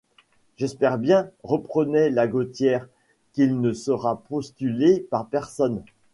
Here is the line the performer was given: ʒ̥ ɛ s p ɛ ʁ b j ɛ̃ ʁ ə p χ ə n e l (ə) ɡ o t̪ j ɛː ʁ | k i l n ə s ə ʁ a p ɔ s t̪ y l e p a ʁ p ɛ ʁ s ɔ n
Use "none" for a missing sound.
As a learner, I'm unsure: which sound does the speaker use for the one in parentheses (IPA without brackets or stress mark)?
a